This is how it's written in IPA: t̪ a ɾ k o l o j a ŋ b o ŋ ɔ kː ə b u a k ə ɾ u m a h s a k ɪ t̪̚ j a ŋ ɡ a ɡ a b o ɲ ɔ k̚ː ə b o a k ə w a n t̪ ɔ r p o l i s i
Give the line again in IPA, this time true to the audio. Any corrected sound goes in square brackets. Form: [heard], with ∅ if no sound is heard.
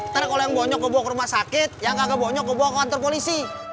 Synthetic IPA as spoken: t̪ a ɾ k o l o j a ŋ b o [ɲ] ɔ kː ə b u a k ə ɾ u m a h s a k ɪ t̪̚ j a ŋ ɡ a ɡ a b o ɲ ɔ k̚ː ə b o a k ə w a n t̪ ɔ r p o l i s i